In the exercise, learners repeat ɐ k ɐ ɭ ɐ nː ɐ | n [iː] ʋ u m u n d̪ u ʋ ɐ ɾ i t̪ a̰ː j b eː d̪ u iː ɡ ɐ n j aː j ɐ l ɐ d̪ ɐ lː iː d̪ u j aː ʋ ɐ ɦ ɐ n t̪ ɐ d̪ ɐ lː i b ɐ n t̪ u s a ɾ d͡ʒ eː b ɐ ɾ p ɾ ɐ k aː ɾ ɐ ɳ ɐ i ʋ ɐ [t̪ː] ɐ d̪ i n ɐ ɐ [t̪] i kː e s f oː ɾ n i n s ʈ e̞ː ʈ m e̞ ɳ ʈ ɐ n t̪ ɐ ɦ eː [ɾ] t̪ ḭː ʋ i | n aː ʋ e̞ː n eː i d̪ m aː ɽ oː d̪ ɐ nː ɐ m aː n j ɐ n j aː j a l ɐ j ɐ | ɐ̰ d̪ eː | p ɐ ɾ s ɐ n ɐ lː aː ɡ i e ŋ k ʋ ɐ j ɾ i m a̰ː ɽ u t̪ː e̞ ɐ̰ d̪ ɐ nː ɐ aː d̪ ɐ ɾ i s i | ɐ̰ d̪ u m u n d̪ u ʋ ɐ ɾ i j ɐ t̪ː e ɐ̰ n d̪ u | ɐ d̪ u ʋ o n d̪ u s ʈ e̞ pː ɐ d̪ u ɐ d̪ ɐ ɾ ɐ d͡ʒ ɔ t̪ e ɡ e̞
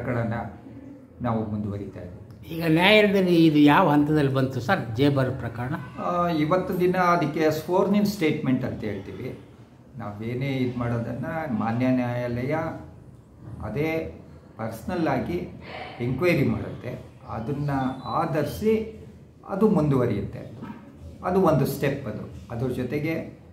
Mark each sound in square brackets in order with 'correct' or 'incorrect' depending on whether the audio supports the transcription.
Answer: incorrect: aː, correct, incorrect: d̪, incorrect: ɭ

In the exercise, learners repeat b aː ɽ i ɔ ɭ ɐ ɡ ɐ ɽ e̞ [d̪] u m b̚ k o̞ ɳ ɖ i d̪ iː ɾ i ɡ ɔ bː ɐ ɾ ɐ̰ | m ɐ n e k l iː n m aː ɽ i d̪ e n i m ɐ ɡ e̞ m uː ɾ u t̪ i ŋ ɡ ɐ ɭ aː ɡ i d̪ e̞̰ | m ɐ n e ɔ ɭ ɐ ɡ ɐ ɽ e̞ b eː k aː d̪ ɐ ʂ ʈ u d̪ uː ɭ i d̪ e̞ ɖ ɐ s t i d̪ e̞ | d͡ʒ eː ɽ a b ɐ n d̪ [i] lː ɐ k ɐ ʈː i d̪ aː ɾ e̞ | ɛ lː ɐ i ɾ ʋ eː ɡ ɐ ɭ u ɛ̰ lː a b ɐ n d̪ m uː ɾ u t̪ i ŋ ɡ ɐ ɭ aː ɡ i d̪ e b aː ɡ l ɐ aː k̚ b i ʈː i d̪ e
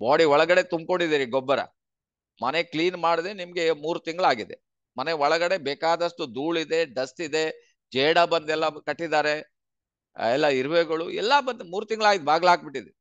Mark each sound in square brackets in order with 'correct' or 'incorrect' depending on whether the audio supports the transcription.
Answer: incorrect: t̪, incorrect: ɛ

